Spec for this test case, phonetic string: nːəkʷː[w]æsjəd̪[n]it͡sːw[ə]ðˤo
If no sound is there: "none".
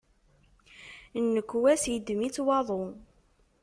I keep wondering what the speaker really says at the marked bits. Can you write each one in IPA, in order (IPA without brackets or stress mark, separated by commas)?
w, m, ɑ